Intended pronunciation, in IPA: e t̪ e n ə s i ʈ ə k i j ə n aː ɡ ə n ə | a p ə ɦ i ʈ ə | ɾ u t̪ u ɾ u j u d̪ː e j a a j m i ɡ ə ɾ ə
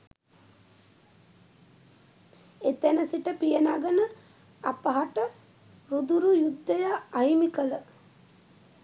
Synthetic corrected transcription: e t̪ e n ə s i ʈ ə p i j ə n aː ɡ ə n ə | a p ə ɦ a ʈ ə | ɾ u d̪ u ɾ u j u d̪ː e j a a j m i k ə l ə